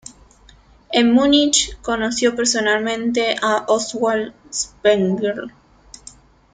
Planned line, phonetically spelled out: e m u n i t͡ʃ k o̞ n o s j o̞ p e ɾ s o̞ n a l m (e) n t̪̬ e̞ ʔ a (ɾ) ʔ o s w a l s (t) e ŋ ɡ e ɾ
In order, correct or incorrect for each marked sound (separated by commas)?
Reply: incorrect, incorrect, incorrect